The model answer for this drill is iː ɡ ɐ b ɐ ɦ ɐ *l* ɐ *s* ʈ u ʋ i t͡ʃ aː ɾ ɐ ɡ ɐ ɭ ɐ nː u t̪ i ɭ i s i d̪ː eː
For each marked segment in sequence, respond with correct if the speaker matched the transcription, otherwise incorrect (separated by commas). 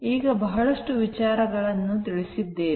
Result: incorrect, incorrect